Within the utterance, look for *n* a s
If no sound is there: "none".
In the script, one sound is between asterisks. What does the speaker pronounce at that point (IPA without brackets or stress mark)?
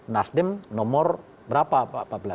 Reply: n